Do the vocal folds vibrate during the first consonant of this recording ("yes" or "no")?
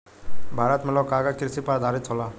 yes